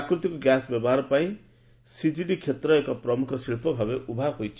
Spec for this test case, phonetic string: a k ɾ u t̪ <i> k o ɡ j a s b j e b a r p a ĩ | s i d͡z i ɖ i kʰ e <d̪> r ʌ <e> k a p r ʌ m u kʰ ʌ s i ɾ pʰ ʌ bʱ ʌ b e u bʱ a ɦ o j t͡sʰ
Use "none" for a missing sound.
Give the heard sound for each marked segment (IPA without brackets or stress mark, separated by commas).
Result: i, t̪, e